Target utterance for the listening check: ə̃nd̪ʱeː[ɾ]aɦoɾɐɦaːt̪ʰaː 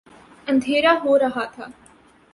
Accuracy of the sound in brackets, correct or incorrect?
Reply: correct